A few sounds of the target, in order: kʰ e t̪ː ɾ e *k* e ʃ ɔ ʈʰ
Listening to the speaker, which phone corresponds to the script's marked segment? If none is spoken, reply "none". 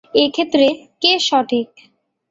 k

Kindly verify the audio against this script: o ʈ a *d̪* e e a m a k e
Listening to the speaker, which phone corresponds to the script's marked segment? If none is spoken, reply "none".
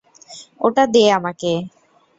d̪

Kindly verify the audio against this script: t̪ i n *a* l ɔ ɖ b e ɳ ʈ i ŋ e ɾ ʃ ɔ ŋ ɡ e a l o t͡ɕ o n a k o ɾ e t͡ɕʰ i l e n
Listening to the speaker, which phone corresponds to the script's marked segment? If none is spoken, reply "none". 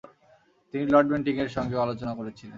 i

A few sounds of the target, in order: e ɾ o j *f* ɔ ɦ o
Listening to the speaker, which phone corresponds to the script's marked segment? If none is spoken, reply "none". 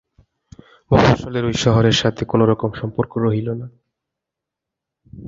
ʃ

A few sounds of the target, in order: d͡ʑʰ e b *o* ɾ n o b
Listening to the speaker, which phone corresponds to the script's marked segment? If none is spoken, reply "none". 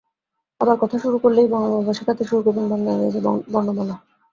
ɔ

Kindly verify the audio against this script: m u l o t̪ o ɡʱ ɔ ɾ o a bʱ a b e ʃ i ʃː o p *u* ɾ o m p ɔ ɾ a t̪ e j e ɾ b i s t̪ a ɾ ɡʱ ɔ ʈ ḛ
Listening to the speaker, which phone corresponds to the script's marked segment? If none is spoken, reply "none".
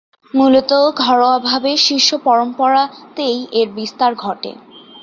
ɔ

